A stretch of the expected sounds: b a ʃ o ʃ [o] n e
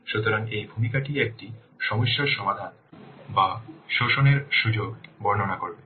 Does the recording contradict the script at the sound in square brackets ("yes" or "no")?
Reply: no